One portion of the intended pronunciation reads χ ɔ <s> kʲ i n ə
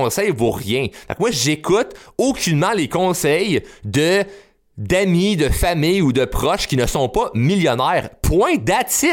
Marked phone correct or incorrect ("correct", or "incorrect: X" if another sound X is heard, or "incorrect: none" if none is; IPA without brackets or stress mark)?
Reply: incorrect: ʃ